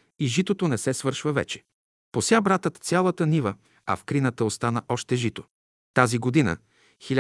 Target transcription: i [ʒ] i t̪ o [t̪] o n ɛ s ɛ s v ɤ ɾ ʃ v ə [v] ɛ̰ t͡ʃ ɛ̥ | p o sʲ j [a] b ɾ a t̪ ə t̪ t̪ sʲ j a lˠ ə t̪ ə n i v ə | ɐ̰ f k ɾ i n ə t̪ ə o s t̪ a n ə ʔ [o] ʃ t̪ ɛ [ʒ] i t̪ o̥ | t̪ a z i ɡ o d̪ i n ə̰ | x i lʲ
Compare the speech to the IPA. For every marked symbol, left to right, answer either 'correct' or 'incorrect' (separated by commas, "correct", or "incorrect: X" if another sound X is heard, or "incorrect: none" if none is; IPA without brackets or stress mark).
correct, correct, correct, correct, incorrect: ɔ, correct